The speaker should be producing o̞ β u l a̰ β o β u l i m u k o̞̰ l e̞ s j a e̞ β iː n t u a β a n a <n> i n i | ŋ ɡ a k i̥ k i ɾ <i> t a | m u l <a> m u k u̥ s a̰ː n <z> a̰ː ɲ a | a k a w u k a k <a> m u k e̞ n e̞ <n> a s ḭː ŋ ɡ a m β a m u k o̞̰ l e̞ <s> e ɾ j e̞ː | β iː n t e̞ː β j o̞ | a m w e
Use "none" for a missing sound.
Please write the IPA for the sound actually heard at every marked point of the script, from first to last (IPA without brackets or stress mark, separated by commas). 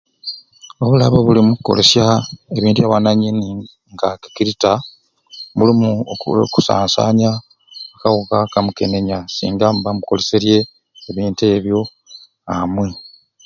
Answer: ɲ, i, i, s, a, ɲ, s